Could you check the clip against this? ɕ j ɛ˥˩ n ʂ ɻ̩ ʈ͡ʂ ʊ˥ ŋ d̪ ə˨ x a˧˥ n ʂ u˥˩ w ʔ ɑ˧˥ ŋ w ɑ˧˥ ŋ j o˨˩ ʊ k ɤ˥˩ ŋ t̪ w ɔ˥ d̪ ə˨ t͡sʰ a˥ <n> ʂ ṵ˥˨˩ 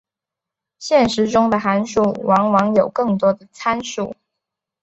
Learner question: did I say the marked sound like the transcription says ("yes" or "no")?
yes